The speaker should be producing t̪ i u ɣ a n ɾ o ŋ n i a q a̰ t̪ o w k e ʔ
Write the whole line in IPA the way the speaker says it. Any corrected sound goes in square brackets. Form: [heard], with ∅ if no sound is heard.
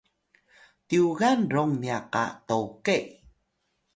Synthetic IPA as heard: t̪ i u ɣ a n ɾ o ŋ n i a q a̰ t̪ o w k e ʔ